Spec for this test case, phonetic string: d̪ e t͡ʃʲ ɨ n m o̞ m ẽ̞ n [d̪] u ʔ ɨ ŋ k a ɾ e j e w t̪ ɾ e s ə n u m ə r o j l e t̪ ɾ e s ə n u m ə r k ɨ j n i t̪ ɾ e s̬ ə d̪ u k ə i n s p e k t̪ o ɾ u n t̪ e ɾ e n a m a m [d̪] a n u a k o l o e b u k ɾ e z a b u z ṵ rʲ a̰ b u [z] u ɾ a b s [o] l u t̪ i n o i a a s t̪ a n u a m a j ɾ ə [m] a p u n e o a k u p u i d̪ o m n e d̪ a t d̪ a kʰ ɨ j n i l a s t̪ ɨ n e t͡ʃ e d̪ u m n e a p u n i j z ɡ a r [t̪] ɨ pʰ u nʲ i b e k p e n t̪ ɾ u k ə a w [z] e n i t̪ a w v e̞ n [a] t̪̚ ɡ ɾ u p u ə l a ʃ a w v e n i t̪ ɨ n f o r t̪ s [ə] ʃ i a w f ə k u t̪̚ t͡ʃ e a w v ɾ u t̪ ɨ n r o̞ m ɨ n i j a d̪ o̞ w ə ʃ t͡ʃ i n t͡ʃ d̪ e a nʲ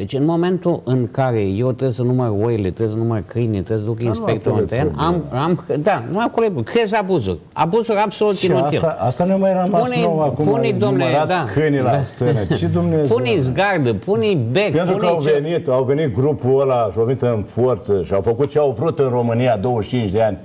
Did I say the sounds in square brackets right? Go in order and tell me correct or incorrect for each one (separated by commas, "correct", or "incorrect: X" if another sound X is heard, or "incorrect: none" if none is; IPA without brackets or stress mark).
incorrect: t̪, correct, correct, correct, correct, incorrect: d̪, incorrect: v, incorrect: i, correct